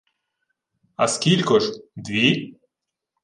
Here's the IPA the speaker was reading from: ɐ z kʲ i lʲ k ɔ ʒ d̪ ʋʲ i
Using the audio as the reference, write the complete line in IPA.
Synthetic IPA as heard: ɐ s kʲ i lʲ k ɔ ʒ d̪ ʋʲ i